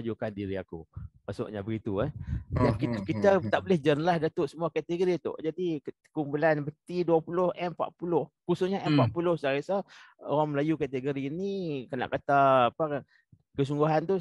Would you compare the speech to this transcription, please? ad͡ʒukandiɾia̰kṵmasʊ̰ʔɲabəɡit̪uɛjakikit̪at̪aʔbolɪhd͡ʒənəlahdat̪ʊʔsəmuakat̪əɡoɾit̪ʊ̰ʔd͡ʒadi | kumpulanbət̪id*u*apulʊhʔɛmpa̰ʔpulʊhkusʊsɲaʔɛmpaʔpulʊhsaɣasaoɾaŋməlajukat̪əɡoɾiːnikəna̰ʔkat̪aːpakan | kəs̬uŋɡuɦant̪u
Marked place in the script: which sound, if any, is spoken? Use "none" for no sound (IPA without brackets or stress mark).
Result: u